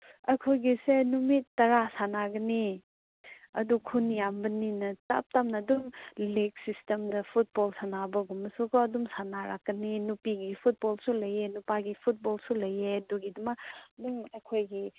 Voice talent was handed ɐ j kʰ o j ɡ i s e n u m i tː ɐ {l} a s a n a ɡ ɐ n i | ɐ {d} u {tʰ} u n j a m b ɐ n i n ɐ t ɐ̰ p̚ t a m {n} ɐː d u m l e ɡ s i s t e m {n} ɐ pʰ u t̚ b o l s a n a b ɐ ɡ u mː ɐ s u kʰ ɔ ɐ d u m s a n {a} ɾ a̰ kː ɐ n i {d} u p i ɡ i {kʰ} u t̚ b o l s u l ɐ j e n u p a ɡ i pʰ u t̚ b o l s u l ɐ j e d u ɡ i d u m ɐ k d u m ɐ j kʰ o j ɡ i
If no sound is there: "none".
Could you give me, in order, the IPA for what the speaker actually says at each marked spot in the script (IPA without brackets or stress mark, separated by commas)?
ɾ, d, kʰ, n, d, a, n, pʰ